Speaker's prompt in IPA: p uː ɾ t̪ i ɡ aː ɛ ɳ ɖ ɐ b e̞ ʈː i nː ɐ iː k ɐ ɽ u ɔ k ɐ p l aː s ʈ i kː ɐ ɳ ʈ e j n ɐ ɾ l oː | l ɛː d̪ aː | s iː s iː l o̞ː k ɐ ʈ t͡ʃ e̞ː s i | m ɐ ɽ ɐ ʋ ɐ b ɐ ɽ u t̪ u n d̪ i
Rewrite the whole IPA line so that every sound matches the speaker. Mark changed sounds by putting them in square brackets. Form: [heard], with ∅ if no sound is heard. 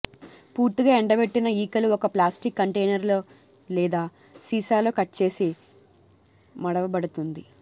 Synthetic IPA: p uː ɾ t̪ i ɡ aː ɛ ɳ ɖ ɐ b e̞ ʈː i [n] ɐ iː k ɐ [l] u ɔ k ɐ p l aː s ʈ i kː ɐ ɳ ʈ e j n ɐ ɾ l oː | l ɛː d̪ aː | s iː s [aː] l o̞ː k ɐ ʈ t͡ʃ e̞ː s i | m ɐ ɽ ɐ ʋ ɐ b ɐ ɽ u t̪ u n d̪ i